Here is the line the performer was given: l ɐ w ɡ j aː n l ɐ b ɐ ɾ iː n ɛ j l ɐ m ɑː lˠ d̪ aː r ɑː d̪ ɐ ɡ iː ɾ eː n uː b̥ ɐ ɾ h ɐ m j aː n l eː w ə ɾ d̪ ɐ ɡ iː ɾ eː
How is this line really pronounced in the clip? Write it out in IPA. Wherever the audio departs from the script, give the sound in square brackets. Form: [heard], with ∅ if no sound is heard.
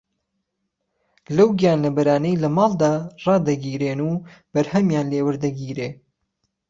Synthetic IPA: l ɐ w ɡ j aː n l ɐ b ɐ ɾ [aː] n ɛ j l ɐ m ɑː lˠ d̪ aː r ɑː d̪ ɐ ɡ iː ɾ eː n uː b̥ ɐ ɾ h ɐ m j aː n l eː w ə ɾ d̪ ɐ ɡ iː ɾ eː